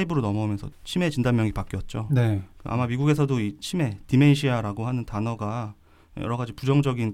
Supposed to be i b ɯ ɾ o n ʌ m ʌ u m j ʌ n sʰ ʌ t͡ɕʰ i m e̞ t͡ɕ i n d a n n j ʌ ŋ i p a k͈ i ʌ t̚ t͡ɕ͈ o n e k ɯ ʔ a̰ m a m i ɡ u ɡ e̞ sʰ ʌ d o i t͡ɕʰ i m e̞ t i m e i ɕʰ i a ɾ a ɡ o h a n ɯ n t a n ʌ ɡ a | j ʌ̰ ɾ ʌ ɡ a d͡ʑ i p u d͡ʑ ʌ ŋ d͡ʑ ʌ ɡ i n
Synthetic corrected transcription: i b ɯ ɾ o n ʌ m ʌ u m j ʌ n sʰ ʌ t͡ɕʰ i m e̞ t͡ɕ i n d a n m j ʌ ŋ i p a k͈ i ʌ t̚ t͡ɕ͈ o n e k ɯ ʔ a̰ m a m i ɡ u ɡ e̞ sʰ ʌ d o i t͡ɕʰ i m e̞ t i m e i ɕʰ i a ɾ a ɡ o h a n ɯ n t a n ʌ ɡ a | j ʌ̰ ɾ ʌ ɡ a d͡ʑ i p u d͡ʑ ʌ ŋ d͡ʑ ʌ ɡ i n